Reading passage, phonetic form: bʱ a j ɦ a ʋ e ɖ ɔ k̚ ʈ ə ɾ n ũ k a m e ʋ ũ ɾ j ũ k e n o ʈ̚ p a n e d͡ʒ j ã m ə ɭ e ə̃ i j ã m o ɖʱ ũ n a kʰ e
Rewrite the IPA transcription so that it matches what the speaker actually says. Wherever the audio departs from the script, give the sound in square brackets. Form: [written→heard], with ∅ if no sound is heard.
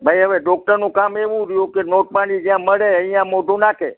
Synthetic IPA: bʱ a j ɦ [a→ə] ʋ e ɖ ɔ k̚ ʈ ə ɾ n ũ k a m e ʋ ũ ɾ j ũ k e n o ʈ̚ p a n [e→i] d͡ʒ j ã m ə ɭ e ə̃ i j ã m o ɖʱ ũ n a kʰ e